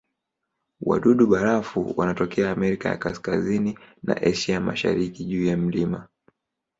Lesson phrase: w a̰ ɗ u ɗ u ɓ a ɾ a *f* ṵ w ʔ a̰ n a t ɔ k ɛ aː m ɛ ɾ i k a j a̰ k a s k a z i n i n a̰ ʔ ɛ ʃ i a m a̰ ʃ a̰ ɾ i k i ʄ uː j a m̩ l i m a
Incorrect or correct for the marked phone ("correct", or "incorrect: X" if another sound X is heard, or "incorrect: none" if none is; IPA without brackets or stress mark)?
correct